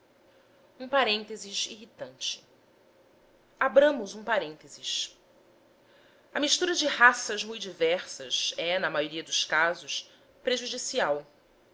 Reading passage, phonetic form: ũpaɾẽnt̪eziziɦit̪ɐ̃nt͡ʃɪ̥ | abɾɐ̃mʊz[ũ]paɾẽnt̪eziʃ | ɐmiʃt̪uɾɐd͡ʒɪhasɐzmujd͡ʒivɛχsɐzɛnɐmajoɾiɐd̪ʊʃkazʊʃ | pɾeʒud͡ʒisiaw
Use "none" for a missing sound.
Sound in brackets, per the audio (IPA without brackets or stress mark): ũ